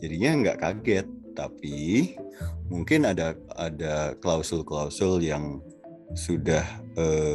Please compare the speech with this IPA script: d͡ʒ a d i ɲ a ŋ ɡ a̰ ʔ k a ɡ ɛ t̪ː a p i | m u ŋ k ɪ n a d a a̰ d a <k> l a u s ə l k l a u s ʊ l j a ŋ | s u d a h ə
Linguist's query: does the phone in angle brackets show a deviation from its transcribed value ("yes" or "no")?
no